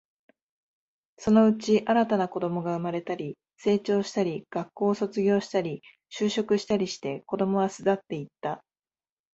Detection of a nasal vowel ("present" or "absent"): absent